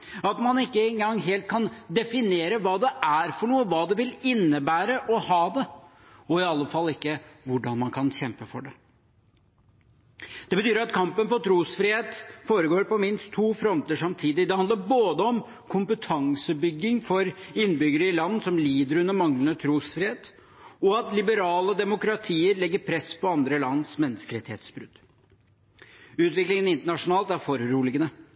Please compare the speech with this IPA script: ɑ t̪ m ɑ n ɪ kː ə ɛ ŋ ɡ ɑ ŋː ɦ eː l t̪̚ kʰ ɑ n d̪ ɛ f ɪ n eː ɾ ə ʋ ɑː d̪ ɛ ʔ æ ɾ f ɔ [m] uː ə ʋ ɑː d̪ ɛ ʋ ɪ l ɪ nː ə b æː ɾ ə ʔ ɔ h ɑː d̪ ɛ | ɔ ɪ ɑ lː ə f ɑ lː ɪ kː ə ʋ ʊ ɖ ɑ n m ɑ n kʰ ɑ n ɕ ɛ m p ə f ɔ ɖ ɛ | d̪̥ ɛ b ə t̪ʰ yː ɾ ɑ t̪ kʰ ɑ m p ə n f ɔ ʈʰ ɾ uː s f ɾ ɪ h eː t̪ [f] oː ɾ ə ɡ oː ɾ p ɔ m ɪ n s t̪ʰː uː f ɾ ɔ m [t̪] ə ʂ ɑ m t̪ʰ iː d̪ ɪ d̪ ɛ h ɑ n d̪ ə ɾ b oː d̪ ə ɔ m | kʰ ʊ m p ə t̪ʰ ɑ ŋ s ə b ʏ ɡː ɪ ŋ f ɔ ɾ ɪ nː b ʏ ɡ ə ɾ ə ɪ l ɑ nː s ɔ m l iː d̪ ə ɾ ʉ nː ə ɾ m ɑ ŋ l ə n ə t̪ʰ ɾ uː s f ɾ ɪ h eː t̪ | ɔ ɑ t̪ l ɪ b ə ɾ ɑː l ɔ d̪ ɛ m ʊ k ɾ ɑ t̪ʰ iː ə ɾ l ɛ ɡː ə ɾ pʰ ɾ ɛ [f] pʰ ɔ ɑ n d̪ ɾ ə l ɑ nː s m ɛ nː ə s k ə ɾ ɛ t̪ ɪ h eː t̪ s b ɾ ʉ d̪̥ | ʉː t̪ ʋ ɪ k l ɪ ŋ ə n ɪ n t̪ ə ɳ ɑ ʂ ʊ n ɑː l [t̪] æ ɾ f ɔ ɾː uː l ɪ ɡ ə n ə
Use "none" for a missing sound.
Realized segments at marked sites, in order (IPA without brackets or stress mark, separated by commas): ɳ, f, t̪, s, t̪